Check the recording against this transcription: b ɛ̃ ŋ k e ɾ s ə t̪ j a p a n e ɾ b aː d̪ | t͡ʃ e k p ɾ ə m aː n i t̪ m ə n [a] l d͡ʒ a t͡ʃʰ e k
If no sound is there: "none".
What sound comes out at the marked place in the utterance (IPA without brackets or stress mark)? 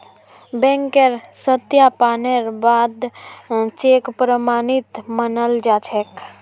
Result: ə